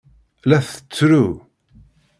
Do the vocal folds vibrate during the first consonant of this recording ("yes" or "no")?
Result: yes